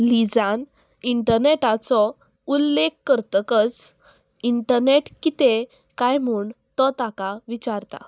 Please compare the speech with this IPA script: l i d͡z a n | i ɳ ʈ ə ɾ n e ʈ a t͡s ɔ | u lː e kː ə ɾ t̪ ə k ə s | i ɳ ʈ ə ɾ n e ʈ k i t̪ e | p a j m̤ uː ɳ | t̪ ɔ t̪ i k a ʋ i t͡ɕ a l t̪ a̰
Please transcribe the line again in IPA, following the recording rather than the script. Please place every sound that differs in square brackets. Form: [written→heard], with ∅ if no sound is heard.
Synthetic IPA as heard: l i d͡z a n | i ɳ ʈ ə ɾ n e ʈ a t͡s ɔ | u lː e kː ə ɾ t̪ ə k ə [s→t͡s] | i ɳ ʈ ə ɾ n e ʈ k i t̪ e | [p→k] a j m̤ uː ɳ | t̪ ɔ t̪ [i→a] k a ʋ i t͡ɕ a [l→ɾ] t̪ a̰